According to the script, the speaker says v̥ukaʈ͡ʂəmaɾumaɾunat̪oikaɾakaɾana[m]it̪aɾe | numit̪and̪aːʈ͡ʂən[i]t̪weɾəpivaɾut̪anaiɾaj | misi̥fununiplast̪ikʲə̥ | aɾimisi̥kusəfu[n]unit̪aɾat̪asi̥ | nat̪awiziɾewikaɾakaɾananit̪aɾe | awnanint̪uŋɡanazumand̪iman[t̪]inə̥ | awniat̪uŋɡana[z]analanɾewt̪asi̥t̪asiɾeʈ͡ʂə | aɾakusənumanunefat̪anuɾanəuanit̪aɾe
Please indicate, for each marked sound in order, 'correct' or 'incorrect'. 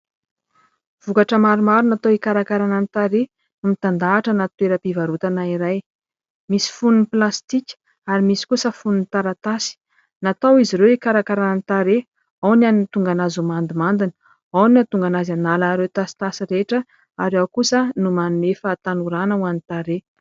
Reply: incorrect: n, incorrect: a, correct, incorrect: d̪, correct

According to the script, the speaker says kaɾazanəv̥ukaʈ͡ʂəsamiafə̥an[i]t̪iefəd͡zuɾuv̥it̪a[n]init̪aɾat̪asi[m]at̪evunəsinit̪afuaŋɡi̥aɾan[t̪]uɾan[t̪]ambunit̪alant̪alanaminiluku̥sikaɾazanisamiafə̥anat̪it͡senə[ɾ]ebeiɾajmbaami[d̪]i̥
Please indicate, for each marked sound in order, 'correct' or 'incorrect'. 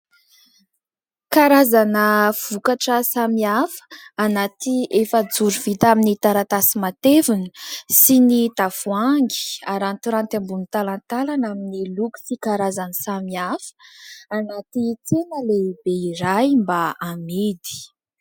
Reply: incorrect: a, incorrect: m, correct, correct, correct, incorrect: l, correct

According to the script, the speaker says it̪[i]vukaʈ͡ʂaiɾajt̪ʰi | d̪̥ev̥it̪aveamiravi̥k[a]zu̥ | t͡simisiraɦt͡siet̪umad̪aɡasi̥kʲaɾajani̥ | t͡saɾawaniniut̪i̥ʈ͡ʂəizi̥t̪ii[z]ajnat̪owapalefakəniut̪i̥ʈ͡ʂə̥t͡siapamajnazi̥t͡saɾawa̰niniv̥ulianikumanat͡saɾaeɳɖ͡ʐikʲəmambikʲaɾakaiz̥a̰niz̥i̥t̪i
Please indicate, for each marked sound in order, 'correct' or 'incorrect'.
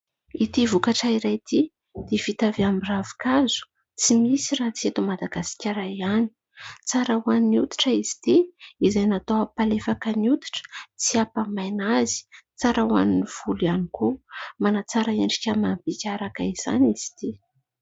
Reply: correct, correct, correct

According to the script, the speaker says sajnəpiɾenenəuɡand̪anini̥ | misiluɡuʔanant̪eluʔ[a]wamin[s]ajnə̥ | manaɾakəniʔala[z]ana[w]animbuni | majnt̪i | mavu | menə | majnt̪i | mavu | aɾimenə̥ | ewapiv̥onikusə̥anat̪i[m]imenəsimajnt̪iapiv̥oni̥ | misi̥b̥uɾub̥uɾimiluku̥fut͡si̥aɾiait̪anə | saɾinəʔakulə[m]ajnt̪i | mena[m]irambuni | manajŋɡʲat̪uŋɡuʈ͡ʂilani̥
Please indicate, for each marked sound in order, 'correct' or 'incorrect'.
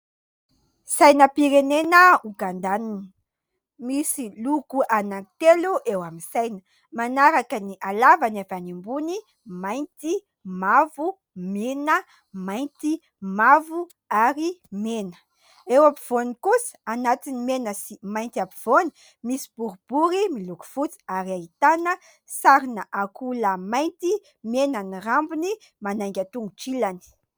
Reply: incorrect: e, correct, incorrect: v, incorrect: v, incorrect: n, correct, incorrect: n

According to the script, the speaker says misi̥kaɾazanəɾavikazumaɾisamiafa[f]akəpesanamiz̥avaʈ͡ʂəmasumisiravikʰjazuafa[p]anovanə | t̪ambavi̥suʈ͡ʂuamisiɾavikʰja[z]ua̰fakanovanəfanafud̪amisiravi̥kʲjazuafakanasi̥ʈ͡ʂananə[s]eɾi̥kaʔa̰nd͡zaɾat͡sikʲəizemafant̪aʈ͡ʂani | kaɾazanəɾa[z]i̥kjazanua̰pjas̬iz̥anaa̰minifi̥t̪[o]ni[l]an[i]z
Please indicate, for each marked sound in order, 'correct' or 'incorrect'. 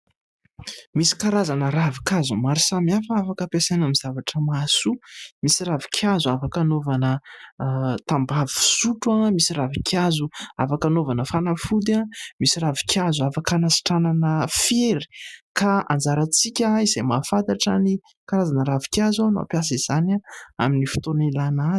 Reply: correct, incorrect: k, correct, incorrect: f, incorrect: v, correct, correct, incorrect: a

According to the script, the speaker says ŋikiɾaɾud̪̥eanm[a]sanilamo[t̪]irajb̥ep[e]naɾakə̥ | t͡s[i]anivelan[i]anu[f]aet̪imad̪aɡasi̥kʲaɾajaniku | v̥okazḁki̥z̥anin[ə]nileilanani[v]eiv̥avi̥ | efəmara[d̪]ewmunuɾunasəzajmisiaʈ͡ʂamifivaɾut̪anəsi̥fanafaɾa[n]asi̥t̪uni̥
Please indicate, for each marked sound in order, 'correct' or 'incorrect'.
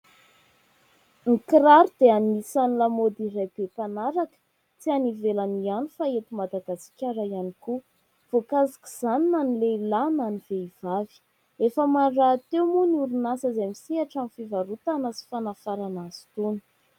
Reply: incorrect: i, incorrect: d̪, incorrect: a, correct, correct, correct, incorrect: a, correct, incorrect: t̪, correct

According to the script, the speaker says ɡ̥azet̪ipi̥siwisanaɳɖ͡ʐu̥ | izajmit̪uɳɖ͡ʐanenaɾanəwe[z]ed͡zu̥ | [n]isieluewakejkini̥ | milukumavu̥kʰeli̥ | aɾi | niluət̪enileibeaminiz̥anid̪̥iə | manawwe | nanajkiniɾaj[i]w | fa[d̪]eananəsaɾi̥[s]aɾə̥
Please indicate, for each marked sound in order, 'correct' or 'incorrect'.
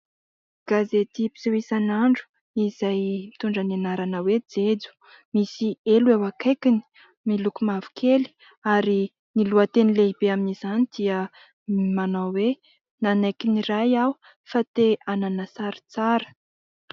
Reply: incorrect: d͡z, incorrect: m, incorrect: a, incorrect: t̪, incorrect: t͡s

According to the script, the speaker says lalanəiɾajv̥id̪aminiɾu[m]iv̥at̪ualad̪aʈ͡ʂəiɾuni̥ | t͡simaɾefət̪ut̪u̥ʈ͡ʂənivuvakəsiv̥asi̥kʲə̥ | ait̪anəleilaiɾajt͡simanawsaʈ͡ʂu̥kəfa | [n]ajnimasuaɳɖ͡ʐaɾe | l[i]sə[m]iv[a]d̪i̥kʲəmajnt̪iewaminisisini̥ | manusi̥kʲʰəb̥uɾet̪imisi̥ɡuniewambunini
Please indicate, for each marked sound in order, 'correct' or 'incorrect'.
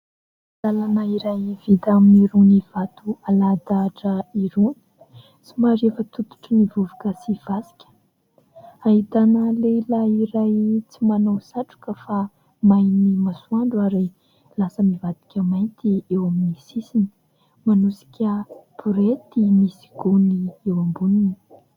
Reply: incorrect: n, incorrect: m, incorrect: a, correct, correct

